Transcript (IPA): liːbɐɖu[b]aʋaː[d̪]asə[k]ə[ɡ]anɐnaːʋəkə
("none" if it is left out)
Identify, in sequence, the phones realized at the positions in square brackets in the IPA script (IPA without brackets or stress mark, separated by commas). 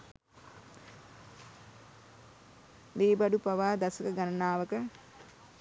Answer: p, d̪, k, ɡ